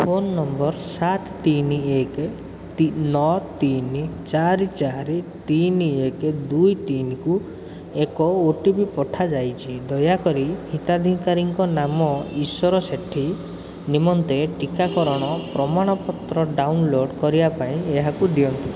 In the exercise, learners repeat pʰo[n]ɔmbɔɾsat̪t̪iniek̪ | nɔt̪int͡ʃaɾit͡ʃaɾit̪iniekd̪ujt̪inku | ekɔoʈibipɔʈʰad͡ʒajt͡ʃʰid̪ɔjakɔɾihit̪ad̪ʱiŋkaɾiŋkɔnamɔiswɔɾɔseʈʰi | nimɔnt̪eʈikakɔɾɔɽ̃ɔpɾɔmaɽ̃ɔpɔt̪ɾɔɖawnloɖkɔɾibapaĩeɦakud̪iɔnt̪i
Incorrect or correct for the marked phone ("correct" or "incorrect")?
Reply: incorrect